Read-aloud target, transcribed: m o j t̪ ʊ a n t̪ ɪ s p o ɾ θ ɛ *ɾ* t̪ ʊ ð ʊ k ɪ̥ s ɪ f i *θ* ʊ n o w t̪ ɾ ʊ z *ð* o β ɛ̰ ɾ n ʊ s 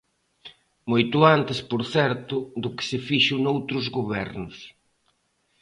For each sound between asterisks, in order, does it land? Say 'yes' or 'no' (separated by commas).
yes, no, no